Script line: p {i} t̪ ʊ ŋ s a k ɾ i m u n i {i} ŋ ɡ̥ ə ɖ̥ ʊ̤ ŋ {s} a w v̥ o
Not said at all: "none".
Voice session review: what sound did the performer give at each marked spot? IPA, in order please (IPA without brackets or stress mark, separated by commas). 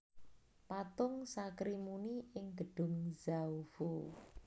a, ɪ, z